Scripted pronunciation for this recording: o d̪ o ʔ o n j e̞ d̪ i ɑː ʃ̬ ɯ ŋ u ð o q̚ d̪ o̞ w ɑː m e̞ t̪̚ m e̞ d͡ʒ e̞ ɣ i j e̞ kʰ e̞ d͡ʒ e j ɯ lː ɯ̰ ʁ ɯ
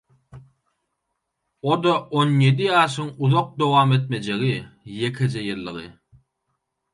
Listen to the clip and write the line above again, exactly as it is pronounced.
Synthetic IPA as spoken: o d̪ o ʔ o n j e̞ d̪ i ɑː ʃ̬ ɯ ŋ u ð o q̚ d̪ o̞ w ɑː m e̞ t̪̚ m e̞ d͡ʒ e̞ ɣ i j e̞ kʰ e̞ d͡ʒ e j ɯ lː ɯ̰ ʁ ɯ